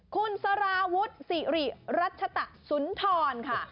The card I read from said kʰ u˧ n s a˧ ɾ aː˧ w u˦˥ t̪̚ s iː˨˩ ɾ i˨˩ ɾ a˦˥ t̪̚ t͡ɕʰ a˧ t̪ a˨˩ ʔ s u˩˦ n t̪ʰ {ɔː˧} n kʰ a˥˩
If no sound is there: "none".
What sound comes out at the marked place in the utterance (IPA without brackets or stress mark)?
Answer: ɔː˧